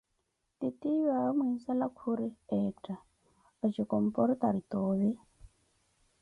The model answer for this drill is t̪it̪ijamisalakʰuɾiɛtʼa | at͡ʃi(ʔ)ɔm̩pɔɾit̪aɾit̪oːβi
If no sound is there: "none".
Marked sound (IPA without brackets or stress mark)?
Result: k